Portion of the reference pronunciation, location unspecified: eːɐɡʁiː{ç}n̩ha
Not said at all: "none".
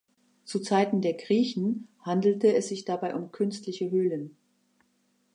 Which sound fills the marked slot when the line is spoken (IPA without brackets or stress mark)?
ç